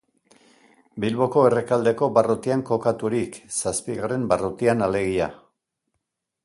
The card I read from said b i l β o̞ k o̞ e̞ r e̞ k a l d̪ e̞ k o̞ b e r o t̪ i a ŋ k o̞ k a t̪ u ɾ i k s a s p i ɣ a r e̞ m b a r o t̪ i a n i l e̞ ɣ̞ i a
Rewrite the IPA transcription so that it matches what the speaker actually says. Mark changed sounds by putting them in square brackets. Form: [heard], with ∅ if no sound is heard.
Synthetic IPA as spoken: b i l β o̞ k o̞ e̞ r e̞ k a l d̪ e̞ k o̞ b [a] r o t̪ i a ŋ k o̞ k a t̪ u ɾ i k s a s p i ɣ a r e̞ m b a r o t̪ i a n [a] l e̞ ɣ̞ i a